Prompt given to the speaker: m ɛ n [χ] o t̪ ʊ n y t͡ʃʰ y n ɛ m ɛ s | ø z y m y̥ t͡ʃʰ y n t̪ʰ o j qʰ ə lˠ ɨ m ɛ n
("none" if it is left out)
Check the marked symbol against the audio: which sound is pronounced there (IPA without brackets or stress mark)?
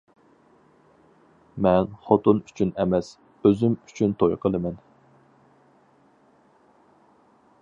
χ